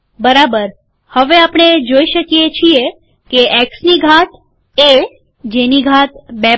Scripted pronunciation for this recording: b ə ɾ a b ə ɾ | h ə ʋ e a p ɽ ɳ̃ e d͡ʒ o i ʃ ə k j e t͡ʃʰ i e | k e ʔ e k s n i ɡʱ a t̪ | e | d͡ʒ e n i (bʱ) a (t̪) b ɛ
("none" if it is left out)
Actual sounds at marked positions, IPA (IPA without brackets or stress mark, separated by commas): ɡʱ, t̪